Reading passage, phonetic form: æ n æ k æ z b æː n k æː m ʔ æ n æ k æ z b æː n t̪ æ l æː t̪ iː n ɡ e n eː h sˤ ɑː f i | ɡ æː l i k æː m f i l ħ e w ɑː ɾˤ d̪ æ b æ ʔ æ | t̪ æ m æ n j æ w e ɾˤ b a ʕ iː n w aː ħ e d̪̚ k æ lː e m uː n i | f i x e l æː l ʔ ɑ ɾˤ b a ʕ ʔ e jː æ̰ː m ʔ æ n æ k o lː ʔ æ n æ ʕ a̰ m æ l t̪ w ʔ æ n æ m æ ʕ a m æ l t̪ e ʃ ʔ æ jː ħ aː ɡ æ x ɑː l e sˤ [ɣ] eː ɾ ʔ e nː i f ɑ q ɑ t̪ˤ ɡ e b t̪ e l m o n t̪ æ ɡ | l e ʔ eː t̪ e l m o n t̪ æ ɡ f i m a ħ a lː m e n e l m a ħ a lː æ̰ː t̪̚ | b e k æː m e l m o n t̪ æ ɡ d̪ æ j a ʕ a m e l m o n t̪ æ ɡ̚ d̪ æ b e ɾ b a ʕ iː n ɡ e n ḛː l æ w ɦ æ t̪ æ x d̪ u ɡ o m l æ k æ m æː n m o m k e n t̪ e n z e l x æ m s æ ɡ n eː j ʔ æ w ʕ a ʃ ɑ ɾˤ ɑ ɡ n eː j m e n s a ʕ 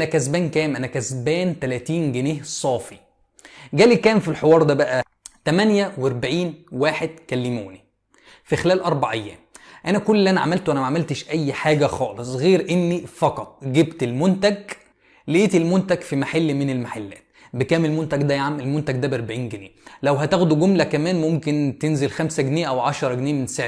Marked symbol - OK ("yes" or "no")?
yes